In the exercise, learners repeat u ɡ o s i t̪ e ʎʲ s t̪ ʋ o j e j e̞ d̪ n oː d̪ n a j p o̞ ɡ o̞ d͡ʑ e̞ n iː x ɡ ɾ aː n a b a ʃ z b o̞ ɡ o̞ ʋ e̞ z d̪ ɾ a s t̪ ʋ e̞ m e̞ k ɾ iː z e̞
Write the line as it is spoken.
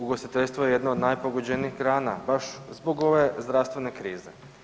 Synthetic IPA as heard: u ɡ o s i t̪ e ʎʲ s t̪ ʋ o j e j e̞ d̪ n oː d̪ n a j p o̞ ɡ o̞ d͡ʑ e̞ n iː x ɡ ɾ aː n a b a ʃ z b o̞ ɡ o̞ ʋ e̞ z d̪ ɾ a s t̪ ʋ e̞ n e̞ k ɾ iː z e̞